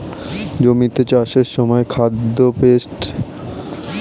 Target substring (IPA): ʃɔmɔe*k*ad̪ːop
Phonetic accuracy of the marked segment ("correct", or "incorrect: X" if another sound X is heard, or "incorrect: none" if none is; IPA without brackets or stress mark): incorrect: kʰ